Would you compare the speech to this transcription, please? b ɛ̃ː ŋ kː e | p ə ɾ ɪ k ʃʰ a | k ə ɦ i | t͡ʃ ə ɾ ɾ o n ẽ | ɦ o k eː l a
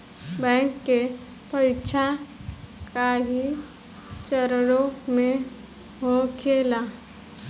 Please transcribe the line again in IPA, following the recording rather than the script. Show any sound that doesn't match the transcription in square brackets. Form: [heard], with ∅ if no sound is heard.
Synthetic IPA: b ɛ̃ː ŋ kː e | p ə ɾ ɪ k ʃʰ a | k [a] ɦ i | t͡ʃ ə ɾ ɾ o [m] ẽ | ɦ o [kʰ] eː l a